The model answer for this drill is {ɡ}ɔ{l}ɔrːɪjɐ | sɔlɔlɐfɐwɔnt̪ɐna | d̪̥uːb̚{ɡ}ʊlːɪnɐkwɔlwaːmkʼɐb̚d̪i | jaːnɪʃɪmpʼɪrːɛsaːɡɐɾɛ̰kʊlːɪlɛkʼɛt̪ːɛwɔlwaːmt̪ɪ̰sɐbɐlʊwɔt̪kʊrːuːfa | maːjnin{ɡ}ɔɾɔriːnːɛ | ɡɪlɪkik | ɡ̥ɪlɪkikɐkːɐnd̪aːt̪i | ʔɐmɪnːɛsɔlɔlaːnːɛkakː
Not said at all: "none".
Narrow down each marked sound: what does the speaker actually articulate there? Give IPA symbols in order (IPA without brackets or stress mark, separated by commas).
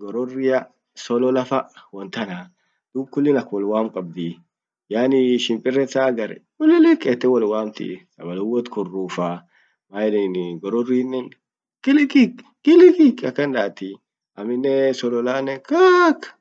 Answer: ɡ, ɾ, k, ɡ